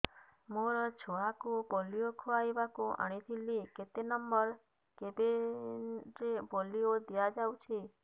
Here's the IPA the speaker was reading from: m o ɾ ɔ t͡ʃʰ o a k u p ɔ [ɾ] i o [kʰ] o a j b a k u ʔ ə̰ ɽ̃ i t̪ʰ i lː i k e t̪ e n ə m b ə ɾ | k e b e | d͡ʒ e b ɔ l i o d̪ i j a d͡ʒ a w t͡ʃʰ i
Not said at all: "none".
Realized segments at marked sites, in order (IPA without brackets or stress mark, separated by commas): l, kʰ